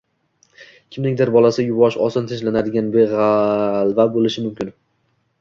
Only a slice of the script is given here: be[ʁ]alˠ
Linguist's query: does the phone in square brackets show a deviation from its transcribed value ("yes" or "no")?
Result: no